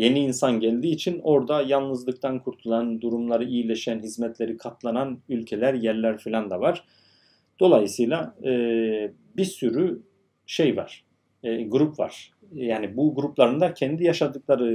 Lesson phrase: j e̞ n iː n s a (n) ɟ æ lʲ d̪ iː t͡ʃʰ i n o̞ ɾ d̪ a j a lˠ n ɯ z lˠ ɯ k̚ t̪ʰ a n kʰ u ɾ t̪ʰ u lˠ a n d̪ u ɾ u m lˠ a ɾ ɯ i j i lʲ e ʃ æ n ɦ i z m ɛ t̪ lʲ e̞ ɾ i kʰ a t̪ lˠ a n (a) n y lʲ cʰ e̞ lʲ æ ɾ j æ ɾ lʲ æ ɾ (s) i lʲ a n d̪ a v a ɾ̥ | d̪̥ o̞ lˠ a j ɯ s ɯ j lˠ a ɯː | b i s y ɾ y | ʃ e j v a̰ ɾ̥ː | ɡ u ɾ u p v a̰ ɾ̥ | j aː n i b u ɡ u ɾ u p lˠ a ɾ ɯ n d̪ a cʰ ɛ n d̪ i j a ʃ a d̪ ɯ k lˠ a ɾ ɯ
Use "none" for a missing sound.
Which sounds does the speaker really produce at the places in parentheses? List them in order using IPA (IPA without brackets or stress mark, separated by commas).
n, a, f